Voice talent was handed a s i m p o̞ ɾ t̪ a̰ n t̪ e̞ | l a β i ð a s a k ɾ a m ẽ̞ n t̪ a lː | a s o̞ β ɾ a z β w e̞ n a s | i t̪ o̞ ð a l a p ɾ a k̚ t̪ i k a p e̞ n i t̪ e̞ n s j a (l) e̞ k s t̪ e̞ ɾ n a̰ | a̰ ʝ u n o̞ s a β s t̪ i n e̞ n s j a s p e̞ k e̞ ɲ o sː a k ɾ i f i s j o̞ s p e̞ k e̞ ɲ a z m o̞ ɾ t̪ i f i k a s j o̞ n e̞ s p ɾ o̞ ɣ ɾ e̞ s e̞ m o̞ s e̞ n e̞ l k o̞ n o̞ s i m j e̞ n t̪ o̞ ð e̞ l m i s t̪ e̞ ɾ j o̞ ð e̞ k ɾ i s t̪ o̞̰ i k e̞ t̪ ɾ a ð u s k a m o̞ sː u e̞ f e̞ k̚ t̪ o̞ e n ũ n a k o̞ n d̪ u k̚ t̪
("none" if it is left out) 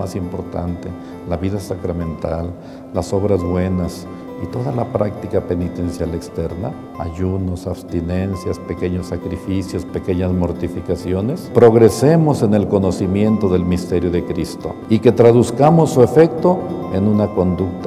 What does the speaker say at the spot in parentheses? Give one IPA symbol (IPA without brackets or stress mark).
l